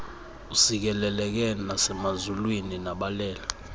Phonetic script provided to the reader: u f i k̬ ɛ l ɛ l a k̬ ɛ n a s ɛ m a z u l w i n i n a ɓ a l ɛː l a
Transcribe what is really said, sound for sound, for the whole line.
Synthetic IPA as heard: u s i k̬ ɛ l ɛ l ɛ k̬ ɛ n a s ɛ m a z u l w i n i n a ɓ a l ɛː l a